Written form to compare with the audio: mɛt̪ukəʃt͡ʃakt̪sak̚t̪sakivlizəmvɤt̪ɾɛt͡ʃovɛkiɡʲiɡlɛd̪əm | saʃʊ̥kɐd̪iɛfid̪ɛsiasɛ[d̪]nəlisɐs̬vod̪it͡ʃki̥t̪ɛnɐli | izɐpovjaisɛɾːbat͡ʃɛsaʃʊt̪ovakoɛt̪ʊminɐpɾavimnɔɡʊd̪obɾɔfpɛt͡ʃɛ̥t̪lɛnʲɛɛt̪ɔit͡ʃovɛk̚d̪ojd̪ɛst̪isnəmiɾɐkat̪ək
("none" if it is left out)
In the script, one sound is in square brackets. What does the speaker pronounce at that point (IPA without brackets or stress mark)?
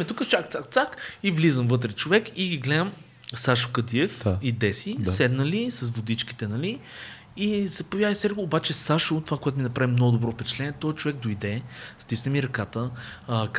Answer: d̪